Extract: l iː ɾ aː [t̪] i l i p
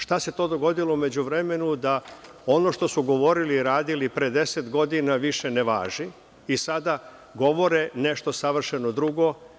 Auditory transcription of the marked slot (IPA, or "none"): d̪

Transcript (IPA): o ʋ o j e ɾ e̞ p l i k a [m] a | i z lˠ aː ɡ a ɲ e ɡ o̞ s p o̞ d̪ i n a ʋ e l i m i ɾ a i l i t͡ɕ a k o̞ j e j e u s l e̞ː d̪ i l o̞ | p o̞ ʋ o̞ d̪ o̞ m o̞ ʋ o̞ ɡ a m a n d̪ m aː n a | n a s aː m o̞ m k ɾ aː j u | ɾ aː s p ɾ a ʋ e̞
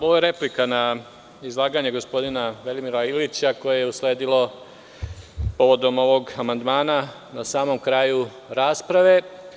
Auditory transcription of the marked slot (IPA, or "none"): n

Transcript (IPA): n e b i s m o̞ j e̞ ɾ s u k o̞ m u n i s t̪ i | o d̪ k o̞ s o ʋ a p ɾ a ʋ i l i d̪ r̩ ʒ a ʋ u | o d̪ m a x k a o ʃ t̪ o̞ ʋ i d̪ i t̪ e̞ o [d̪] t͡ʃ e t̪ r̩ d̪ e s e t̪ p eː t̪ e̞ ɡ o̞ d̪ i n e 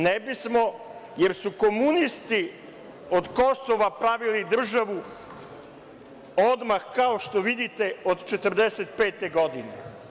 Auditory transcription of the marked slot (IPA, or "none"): d̪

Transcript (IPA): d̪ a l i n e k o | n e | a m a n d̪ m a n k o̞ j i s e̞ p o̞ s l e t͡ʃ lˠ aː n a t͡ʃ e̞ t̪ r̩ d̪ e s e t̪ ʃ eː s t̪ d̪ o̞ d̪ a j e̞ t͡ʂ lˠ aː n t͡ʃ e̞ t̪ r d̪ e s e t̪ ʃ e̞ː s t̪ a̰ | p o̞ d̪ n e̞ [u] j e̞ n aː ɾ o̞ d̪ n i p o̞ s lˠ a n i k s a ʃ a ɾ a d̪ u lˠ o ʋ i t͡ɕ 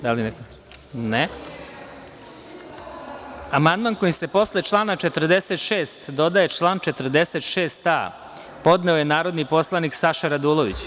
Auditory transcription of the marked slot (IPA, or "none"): o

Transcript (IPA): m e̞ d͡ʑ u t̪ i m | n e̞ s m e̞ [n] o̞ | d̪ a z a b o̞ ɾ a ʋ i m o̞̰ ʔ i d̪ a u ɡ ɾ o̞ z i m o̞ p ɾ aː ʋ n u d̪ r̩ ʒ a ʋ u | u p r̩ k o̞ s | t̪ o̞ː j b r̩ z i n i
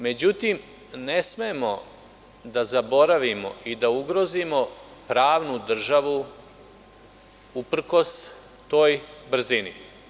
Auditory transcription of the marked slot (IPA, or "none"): m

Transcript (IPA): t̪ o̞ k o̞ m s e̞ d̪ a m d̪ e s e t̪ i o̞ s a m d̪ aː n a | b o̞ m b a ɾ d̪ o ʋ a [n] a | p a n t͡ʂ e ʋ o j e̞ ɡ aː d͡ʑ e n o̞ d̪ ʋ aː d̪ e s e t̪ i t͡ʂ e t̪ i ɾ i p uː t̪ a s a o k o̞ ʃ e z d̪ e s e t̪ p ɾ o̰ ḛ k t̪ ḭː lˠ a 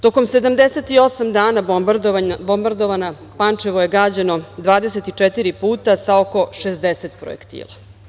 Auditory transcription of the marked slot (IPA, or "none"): n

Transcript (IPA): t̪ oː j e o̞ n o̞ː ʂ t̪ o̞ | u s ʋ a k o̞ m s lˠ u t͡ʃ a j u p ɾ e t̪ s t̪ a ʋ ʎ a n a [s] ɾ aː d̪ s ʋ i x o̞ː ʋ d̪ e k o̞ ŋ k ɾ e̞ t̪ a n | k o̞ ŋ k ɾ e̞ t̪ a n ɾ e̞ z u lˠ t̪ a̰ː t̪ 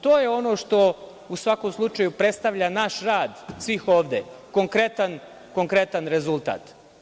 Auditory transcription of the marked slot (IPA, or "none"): ʃ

